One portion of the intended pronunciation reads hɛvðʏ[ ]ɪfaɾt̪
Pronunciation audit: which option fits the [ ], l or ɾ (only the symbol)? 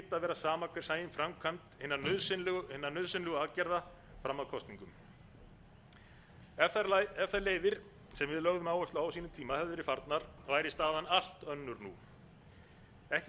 ɾ